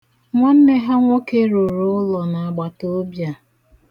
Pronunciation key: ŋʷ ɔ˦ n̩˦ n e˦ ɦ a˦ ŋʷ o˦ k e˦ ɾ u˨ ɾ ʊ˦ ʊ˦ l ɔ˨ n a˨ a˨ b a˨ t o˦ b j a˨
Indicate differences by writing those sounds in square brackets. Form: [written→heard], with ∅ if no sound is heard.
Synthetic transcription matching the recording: ŋʷ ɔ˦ n̩˦ n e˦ ɦ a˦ ŋʷ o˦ k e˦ ɾ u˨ ɾ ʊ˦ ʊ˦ l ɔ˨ n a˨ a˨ [b→ɡ͡b] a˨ t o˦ b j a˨